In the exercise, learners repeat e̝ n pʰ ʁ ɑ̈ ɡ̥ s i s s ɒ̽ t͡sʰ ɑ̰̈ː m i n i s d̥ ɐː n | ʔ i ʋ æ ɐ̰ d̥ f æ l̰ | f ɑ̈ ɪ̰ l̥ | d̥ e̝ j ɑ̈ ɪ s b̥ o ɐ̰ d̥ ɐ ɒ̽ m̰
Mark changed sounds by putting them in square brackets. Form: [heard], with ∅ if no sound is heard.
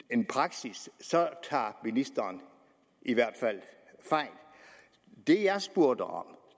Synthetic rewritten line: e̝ n pʰ ʁ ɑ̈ ɡ̥ s i s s ɒ̽ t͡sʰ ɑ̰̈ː m i n i s d̥ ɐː n | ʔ i ʋ æ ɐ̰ d̥ f æ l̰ | f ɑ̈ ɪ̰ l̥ | d̥ e̝ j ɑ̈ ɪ s b̥ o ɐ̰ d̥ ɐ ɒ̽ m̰